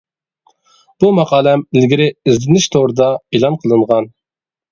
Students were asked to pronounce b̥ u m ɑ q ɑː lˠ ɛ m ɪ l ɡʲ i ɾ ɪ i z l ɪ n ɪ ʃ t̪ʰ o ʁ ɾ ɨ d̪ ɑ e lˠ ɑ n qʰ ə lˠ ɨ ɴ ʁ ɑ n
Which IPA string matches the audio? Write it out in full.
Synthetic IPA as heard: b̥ u m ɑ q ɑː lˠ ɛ m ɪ l ɡʲ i ɾ ɪ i z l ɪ n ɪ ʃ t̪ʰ o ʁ ɾ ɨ d̪ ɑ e lˠ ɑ n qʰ ə lˠ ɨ ɴ ʁ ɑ n

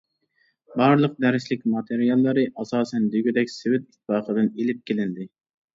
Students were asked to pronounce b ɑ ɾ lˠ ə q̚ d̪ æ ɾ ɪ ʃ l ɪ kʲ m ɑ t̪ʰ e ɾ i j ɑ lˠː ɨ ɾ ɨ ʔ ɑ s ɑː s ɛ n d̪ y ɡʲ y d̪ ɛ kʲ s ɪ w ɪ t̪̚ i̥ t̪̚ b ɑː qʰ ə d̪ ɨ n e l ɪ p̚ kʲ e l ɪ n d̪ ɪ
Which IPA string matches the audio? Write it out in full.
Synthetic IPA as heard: b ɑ ɾ lˠ ə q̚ d̪ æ ɾ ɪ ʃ l ɪ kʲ m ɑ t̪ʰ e ɾ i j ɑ lˠː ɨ ɾ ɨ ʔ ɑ s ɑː s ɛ n d̪ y ɡʲ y d̪ ɛ kʲ s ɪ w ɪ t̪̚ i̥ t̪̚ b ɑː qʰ ə d̪ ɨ n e l ɪ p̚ kʲ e l ɪ n d̪ ɪ

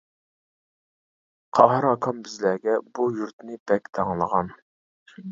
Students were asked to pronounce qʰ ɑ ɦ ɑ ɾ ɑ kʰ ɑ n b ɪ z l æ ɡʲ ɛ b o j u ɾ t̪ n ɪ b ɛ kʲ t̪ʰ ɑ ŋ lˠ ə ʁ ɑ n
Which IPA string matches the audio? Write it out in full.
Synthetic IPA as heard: qʰ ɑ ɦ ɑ ɾ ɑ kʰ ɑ m b ɪ z l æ ɡʲ ɛ b u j u ɾ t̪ n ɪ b ɛ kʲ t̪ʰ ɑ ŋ lˠ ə ʁ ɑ n

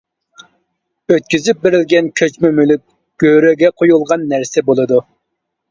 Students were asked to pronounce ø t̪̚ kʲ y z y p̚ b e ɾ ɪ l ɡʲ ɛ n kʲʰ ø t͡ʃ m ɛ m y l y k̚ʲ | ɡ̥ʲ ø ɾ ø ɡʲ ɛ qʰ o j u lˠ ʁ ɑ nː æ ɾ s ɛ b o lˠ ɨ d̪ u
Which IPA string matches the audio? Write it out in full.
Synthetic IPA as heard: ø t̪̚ kʲ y z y p̚ b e ɾ ɪ l ɡʲ ɛ n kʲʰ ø t͡ʃ m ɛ m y l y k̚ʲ | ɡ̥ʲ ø ɾ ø ɡʲ ɛ qʰ o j u lˠ ʁ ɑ nː æ ɾ s ɛ b o lˠ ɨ d̪ u

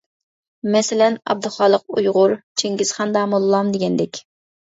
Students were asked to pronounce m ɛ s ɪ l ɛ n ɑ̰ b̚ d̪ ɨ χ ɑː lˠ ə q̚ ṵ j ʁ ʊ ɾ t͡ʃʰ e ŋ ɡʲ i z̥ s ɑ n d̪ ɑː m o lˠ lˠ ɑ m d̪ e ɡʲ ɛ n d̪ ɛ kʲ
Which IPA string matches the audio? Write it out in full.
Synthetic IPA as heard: m ɛ s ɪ l ɛ n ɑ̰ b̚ d̪ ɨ χ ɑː lˠ ə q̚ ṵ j ʁ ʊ ɾ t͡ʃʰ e ŋ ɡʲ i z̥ χ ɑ n d̪ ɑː m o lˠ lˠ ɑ m d̪ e ɡʲ ɛ n d̪ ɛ kʲ

